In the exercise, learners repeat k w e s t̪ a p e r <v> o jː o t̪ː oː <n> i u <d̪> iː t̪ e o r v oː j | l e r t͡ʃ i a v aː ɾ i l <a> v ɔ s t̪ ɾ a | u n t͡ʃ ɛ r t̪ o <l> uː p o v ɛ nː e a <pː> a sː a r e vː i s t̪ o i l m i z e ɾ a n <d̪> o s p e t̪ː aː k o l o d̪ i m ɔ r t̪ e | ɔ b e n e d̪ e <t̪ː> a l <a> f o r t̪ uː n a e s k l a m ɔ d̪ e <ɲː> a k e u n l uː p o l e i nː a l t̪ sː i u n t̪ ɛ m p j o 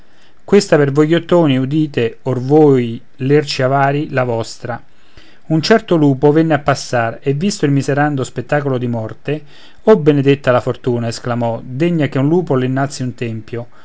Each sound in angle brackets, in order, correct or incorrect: correct, correct, correct, correct, correct, correct, correct, correct, correct, correct

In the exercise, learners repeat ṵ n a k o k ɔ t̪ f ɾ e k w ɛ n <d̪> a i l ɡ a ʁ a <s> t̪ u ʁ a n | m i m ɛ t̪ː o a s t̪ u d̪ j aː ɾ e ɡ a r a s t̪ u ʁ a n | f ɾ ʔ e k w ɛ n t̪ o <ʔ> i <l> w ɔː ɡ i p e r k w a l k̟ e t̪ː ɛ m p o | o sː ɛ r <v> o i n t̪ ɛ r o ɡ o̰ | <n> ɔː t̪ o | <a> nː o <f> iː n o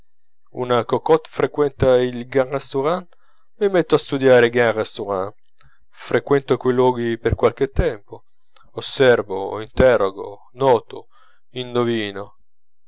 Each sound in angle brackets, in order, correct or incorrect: incorrect: t̪, correct, incorrect: k, correct, correct, correct, incorrect: i, incorrect: v

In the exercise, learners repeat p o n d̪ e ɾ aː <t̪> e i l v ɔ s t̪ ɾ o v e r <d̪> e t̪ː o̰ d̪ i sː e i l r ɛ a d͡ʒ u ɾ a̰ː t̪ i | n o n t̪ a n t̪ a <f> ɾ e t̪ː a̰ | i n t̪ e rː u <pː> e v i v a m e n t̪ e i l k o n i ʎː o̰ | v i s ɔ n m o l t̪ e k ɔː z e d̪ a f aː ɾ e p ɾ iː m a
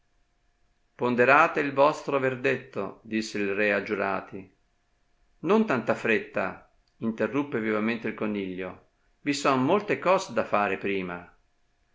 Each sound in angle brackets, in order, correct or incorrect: correct, correct, correct, correct

